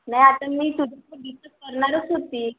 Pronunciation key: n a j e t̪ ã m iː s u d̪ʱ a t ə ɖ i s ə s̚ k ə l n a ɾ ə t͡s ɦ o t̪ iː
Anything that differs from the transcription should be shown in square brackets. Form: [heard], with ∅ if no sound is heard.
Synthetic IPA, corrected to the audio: n a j [a] t̪ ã m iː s u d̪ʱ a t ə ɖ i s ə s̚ k ə [ɾ] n a ɾ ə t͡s ɦ o t̪ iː